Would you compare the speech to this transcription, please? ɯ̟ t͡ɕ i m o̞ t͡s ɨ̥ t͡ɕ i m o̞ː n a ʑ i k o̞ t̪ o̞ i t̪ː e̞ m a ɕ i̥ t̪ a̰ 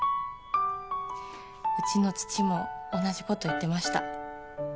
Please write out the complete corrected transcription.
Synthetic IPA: ɯ̟ t͡ɕ i n o̞ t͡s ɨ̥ t͡ɕ i m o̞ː n a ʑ i k o̞ t̪ o̞ i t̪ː e̞ m a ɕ i̥ t̪ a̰